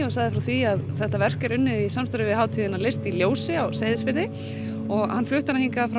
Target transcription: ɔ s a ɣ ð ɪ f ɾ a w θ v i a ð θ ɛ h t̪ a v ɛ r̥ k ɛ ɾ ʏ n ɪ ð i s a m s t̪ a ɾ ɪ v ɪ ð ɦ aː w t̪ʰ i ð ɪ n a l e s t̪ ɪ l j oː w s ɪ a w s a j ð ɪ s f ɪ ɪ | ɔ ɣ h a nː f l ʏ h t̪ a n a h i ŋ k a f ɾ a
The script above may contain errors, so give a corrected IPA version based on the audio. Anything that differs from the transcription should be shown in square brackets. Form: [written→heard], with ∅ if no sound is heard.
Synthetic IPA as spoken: ɔ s a ɣ ð ɪ f ɾ a w θ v i a ð θ ɛ h t̪ a v ɛ r̥ k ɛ ɾ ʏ [n→nː] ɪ ð i s a m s t̪ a ɾ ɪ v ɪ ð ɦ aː w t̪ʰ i ð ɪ n a l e s t̪ [ɪ→i] l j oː w s ɪ a w s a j ð ɪ s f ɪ ɪ | ɔ ɣ h a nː f l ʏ h t̪ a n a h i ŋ k a f ɾ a

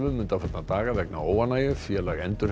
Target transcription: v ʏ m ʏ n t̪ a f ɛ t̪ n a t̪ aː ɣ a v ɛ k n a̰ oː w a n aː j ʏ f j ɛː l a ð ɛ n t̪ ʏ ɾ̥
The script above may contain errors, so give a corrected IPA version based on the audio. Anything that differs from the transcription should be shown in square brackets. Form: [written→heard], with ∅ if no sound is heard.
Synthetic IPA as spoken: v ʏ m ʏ n t̪ a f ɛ t̪ n a t̪ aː ɣ a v ɛ k n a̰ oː w a n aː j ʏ f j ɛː l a [ð→ɣ] ɛ n t̪ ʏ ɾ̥

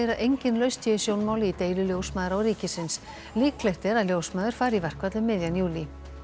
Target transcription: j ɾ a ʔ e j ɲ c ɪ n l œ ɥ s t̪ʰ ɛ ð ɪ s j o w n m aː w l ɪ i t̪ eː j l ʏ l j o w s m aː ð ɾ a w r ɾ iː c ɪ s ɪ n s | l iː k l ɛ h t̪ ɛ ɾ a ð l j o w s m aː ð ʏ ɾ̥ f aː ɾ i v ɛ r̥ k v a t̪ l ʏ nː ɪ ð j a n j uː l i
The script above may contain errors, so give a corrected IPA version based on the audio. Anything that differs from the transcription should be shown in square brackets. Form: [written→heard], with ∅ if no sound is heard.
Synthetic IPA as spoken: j ɾ a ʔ e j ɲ c ɪ n l œ ɥ s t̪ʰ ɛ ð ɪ s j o w n m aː w l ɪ i t̪ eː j l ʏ l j o w s m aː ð ɾ a w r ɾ iː c ɪ s ɪ n s | l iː k l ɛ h t̪ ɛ ɾ a ð l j o w s m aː ð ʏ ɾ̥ f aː ɾ i v ɛ r̥ k v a t̪ l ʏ [nː→mː] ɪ ð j a n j uː l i

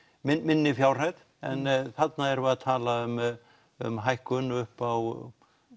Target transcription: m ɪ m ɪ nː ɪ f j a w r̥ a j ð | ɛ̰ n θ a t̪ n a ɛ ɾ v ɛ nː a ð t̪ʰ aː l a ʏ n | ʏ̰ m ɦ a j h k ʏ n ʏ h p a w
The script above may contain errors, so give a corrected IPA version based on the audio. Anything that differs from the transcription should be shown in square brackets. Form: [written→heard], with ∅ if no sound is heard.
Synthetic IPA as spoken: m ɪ m ɪ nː ɪ f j a w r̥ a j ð | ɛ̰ n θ a t̪ n a ɛ ɾ v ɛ [nː→∅] a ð t̪ʰ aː l a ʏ [n→m] | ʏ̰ m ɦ a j h k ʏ n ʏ h p a w

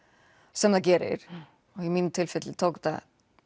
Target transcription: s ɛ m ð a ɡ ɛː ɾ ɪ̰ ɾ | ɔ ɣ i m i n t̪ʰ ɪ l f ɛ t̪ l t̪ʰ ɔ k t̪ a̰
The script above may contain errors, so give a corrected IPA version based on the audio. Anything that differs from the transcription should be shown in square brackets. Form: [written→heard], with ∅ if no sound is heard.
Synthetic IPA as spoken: s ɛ m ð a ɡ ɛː ɾ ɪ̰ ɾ | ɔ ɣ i m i n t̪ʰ ɪ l f ɛ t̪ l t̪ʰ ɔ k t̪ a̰

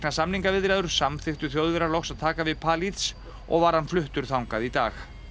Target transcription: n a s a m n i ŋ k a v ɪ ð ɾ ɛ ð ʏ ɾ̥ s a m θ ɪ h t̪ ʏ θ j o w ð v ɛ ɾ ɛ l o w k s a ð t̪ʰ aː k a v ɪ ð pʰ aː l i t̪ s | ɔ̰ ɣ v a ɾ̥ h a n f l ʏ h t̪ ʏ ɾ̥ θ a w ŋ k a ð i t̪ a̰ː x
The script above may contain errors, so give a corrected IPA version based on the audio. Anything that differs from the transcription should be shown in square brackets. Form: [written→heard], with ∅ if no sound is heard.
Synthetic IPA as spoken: n a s a m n i ŋ k a v ɪ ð ɾ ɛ ð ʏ ɾ̥ s a m θ ɪ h t̪ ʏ θ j o w ð v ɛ ɾ [ɛ→a] l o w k s a ð t̪ʰ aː k a v ɪ ð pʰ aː l i t̪ s | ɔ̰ ɣ v a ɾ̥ h a n f l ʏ h t̪ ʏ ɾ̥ θ a w ŋ k a ð i t̪ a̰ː x

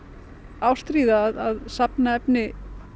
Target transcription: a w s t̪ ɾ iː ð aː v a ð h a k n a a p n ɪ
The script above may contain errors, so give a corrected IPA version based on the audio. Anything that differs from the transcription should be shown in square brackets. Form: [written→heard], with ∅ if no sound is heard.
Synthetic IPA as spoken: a w s t̪ ɾ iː ð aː [v→ð] a ð [h→s] a [k→p] n a [a→ɛ] p n ɪ

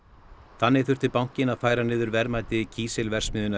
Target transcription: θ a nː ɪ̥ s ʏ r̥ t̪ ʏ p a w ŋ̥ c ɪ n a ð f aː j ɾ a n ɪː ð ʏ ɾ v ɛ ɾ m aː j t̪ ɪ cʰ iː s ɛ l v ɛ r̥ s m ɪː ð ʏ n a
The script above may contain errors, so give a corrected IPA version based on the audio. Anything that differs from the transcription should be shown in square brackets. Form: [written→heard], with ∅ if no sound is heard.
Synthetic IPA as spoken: θ a nː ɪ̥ [s→θ] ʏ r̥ t̪ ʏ p a w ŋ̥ c ɪ n a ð f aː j ɾ a n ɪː ð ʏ ɾ v ɛ ɾ m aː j t̪ ɪ cʰ iː s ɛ l v ɛ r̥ s m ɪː ð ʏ n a

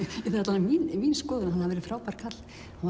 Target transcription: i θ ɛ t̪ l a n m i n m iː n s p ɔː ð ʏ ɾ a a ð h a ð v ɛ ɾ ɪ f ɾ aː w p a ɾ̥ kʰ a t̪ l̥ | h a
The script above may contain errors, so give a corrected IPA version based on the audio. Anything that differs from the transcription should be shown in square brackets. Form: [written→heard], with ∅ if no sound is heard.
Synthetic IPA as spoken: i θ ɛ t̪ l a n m i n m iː n s [p→k] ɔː ð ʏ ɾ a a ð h a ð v ɛ ɾ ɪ f ɾ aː w p a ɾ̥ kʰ a t̪ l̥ | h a

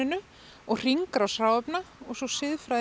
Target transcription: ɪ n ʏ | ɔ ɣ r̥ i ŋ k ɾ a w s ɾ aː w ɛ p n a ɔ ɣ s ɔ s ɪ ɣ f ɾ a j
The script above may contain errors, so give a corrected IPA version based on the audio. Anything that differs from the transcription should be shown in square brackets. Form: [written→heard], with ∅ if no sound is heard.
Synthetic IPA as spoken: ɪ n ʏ | ɔ ɣ r̥ i ŋ k ɾ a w s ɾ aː w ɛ p n a ɔ ɣ s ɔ s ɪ [ɣ→ð] f ɾ a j

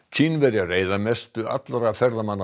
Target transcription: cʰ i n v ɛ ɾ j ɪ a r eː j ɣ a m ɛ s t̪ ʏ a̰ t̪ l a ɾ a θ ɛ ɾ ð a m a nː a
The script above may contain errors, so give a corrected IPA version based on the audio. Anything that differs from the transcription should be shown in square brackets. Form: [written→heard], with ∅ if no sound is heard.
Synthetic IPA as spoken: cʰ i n v ɛ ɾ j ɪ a r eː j [ɣ→ð] a m ɛ s t̪ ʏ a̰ t̪ l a ɾ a [θ→f] ɛ ɾ ð a m a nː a

